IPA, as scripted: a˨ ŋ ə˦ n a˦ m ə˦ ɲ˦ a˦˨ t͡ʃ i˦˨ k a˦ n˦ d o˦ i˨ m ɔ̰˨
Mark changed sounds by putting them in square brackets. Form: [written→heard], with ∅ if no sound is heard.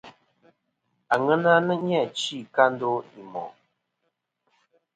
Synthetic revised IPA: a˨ ŋ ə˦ n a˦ [m→n] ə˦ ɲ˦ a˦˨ t͡ʃ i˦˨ k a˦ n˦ d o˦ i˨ m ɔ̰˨